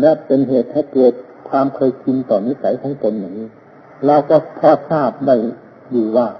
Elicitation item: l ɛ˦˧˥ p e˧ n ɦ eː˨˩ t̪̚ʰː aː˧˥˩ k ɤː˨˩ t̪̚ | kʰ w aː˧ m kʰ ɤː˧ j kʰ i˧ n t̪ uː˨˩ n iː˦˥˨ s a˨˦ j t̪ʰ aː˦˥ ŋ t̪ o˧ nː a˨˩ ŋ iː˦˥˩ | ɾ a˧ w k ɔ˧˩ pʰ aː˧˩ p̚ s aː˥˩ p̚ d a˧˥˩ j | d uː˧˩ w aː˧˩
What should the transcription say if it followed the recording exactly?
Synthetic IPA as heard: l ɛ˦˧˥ p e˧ n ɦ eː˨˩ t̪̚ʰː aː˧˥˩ k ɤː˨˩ t̪̚ | kʰ w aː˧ m kʰ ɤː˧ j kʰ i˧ n t̪ ɔː˨˩ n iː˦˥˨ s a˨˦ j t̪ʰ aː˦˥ ŋ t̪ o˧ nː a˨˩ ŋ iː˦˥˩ | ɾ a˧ w k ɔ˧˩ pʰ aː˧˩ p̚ s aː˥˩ p̚ d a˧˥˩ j | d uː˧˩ w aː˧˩

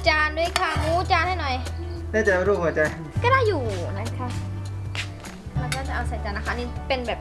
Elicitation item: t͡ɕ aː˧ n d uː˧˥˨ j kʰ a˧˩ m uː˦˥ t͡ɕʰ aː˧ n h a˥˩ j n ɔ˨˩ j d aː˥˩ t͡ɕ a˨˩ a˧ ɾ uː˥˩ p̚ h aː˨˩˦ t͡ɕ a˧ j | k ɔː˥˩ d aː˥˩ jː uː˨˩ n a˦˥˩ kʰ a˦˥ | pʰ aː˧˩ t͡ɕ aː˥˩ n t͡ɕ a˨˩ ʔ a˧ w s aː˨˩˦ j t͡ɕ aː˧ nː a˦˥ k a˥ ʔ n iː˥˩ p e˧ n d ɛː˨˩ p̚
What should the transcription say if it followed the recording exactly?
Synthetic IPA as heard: t͡ɕ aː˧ n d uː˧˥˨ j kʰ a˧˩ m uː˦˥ t͡ɕ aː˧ n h a˥˩ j n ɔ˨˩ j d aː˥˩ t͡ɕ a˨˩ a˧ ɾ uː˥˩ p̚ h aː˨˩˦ t͡ɕ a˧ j | k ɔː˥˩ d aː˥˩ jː uː˨˩ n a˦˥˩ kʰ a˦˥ | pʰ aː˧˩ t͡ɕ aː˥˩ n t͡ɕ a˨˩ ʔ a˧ w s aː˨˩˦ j t͡ɕ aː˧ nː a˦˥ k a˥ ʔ n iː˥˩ p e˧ n b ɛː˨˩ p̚

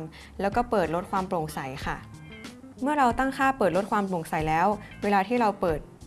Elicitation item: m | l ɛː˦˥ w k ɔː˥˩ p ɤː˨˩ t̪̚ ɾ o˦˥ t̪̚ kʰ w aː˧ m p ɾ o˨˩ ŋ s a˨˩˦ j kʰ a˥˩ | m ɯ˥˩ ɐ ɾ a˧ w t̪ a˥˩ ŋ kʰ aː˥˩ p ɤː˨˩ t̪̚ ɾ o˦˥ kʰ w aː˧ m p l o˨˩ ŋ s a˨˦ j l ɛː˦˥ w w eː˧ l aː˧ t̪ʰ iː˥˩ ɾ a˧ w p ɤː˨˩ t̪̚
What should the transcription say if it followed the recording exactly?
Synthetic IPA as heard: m | l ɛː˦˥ w k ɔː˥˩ p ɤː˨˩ t̪̚ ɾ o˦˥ t̪̚ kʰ w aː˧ m p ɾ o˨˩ ŋ s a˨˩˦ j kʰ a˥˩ | m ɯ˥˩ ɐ ɾ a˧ w t̪ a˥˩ ŋ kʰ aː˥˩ p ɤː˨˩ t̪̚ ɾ o˦˥ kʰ w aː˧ m p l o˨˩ ŋ s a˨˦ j l ɛː˦˥ w w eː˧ l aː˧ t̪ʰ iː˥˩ ɾ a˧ w p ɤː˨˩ t̪̚

